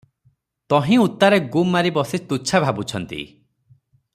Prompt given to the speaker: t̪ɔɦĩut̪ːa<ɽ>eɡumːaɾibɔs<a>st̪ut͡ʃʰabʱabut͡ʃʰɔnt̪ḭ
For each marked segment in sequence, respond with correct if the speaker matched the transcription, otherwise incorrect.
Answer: incorrect: ɾ, incorrect: i

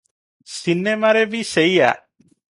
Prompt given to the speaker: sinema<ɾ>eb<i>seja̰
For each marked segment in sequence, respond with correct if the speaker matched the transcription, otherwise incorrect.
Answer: correct, correct

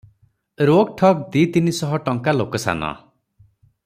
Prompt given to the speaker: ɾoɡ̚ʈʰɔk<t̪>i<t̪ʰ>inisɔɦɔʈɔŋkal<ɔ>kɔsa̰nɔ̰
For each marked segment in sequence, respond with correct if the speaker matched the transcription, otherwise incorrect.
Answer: incorrect: d̪, incorrect: t̪, incorrect: o

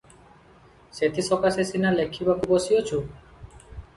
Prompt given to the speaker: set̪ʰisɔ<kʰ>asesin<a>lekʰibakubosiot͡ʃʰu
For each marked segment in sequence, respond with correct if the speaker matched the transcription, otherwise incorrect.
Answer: incorrect: k, correct

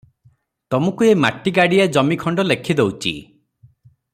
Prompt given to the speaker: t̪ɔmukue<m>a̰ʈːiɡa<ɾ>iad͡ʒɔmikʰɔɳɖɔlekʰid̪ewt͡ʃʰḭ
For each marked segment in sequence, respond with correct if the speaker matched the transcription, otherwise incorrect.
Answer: correct, incorrect: ɽ

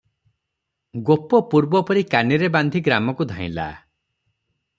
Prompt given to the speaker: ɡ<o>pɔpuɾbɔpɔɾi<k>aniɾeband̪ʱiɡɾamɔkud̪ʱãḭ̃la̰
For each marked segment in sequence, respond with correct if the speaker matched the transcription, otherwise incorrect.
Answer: correct, correct

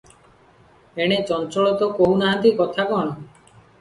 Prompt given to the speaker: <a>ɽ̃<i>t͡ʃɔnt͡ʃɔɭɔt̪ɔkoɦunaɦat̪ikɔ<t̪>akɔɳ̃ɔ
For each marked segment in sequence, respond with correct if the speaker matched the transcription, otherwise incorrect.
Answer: incorrect: e, incorrect: e, incorrect: t̪ʰ

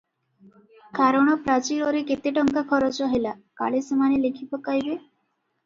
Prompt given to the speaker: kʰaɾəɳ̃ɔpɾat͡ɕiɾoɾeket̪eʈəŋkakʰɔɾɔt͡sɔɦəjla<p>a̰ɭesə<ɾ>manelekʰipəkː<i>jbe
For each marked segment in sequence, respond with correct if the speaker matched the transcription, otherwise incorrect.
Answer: incorrect: k, incorrect: none, incorrect: a

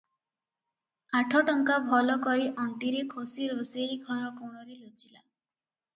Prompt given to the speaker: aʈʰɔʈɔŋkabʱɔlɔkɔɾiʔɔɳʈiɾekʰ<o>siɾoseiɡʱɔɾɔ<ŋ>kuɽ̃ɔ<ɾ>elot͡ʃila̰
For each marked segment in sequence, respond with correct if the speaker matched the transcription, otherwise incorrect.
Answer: correct, incorrect: none, correct

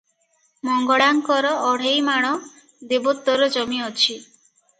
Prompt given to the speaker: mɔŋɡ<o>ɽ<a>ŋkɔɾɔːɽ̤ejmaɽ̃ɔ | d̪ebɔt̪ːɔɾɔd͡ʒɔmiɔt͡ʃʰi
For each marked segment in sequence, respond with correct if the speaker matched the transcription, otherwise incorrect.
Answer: incorrect: ɔ, correct

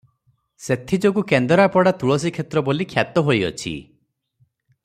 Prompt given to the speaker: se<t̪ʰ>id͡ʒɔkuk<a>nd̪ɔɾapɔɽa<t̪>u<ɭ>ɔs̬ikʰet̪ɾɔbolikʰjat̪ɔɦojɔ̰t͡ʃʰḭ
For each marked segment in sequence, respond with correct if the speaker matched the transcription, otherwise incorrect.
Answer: correct, incorrect: e, correct, correct

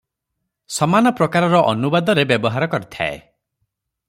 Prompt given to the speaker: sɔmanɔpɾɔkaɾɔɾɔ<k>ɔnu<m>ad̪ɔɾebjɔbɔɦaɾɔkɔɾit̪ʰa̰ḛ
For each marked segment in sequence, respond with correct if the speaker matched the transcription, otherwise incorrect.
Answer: incorrect: ʔ, incorrect: b

